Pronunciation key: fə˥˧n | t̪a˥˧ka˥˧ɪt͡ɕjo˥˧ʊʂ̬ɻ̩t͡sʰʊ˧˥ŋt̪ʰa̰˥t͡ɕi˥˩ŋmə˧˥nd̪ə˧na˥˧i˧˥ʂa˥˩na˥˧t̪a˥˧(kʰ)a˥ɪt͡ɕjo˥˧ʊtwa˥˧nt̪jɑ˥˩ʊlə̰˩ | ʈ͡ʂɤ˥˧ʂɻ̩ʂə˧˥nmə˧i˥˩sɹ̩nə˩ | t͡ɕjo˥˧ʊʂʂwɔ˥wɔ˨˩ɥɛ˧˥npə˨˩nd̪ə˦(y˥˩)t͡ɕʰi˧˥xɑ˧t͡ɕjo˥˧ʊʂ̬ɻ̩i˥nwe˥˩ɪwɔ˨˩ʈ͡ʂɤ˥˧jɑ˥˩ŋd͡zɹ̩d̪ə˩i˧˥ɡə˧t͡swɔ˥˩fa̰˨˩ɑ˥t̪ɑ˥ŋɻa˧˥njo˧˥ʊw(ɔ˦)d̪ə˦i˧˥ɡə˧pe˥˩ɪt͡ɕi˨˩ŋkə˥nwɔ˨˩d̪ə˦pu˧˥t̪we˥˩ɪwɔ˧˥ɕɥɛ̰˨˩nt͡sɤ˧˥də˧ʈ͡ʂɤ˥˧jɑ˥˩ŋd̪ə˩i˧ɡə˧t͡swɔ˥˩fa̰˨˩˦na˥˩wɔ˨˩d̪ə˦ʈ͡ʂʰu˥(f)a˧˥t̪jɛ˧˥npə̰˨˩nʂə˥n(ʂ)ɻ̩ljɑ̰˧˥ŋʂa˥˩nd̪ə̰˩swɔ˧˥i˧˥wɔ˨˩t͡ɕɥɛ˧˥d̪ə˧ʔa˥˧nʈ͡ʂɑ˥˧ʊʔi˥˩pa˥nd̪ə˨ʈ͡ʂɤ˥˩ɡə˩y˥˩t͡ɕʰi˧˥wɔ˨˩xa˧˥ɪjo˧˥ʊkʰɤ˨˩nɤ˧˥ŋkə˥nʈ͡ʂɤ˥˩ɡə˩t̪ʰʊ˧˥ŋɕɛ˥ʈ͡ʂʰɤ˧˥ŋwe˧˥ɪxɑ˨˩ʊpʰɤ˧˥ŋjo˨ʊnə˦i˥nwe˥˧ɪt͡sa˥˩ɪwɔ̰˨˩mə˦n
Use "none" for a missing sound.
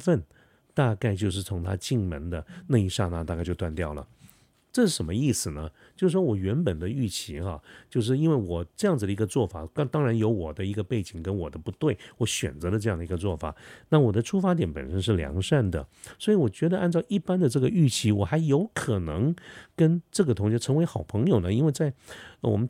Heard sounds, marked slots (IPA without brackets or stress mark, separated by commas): k, y˥˩, ɔ˨˩, f, ʂ